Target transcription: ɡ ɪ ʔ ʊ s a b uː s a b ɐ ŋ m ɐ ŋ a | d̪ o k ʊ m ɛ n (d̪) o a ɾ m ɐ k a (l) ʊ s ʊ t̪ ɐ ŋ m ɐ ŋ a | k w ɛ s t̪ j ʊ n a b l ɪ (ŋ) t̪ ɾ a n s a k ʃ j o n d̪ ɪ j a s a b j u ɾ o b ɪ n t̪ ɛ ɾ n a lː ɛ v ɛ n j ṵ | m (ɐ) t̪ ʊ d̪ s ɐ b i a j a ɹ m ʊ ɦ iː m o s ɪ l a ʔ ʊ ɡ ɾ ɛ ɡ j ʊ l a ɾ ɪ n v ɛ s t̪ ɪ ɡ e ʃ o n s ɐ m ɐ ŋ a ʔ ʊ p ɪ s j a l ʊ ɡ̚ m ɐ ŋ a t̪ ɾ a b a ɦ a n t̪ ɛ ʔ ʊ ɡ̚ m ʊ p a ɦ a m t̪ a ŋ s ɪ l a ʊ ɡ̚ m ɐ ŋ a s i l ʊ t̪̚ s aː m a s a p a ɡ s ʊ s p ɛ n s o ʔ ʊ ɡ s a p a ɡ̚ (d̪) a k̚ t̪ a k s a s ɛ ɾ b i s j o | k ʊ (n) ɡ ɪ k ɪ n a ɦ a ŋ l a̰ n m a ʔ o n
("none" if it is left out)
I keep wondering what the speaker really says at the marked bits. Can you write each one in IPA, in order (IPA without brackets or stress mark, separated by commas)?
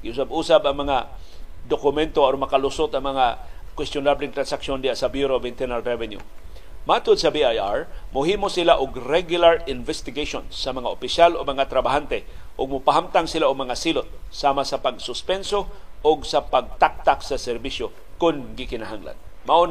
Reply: t̪, l, ŋ, a, t̪, n